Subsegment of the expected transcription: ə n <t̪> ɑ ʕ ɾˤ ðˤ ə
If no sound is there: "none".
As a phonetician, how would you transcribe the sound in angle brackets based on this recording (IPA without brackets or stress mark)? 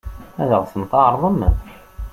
t̪